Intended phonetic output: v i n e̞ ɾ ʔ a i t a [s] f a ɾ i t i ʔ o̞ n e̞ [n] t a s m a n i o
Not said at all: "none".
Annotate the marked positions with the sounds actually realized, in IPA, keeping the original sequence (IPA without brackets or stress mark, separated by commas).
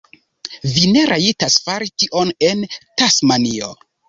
s, n